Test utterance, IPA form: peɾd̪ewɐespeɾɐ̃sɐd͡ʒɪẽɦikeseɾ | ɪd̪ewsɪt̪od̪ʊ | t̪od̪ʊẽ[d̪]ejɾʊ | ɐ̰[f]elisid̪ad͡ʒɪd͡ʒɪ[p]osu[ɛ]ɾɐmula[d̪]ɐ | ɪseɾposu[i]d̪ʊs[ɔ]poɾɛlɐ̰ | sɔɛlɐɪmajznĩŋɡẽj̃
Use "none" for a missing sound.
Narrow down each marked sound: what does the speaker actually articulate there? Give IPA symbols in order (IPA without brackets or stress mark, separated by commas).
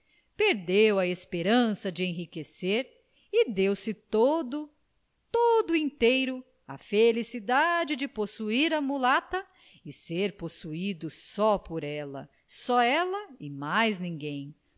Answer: t̪, f, p, i, t̪, i, ɔ